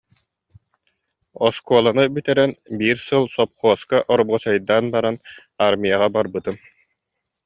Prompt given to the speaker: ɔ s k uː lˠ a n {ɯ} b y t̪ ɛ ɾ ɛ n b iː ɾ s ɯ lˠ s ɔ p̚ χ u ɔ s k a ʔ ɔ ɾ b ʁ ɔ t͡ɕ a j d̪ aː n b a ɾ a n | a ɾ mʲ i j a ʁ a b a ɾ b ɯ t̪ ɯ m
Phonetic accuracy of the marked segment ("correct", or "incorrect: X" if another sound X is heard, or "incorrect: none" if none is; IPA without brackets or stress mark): correct